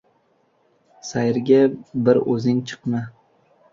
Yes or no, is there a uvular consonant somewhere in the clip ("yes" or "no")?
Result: yes